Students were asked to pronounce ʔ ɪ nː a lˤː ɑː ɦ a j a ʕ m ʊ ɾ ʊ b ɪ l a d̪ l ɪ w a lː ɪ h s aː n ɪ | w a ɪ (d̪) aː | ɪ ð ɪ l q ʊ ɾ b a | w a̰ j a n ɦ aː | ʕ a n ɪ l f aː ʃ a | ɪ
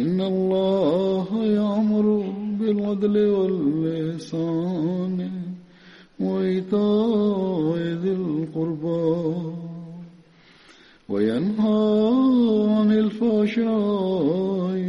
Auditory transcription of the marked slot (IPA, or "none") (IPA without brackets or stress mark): t̪